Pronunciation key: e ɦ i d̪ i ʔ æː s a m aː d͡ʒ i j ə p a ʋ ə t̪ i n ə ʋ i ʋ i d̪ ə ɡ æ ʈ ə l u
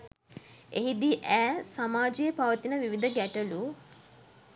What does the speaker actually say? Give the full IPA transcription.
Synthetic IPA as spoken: e ɦ i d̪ i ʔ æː s a m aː d͡ʒ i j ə p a ʋ ə t̪ i n ə ʋ i ʋ i d̪ ə ɡ æ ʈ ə l u